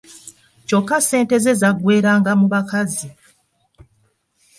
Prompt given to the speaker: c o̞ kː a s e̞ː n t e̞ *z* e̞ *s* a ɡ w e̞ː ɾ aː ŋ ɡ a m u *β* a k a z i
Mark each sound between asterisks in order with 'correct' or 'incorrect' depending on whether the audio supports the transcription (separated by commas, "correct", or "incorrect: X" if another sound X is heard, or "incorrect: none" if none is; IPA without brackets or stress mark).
correct, incorrect: z, correct